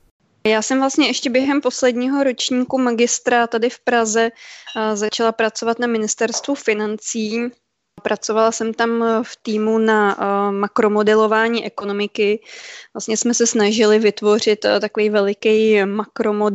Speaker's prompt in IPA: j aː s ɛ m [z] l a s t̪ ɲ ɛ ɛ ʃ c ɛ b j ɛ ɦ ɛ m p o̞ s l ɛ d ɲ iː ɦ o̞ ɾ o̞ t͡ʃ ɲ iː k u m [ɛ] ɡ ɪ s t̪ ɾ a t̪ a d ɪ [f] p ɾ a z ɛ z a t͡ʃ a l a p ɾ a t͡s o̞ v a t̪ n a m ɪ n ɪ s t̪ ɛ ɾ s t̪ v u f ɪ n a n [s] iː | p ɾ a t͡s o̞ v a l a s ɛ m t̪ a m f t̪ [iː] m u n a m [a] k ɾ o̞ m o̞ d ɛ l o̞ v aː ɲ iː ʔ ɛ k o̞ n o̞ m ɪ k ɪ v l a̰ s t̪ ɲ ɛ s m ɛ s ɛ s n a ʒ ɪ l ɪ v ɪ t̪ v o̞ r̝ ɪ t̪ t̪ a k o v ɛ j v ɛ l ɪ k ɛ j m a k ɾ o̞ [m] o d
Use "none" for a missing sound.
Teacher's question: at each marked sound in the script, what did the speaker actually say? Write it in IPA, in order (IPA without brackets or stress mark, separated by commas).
v, a, f, t͡s, iː, a, m